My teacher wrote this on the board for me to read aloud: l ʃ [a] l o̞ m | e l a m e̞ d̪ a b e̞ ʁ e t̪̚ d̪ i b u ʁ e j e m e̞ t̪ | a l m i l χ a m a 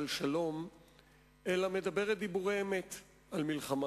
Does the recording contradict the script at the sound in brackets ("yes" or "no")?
no